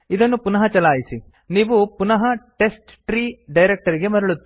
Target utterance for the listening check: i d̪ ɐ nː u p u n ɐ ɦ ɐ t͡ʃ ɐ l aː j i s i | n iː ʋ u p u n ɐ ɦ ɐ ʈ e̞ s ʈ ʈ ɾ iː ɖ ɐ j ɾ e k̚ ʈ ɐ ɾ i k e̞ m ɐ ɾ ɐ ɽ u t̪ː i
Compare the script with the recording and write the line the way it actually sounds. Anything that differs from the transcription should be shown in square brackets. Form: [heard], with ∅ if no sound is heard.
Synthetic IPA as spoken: i d̪ ɐ nː u p u n ɐ ɦ ɐ t͡ʃ ɐ l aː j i s i | n iː ʋ u p u n ɐ ɦ ɐ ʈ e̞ s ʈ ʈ ɾ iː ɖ ɐ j ɾ e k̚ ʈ ɐ ɾ i [ɡ] e̞ m ɐ ɾ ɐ [ɭ] u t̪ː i